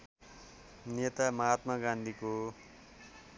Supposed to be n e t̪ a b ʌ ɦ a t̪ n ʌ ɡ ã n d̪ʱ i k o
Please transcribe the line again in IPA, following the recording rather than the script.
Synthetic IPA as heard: n e t̪ a m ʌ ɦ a t̪ m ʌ ɡ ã n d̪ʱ i k o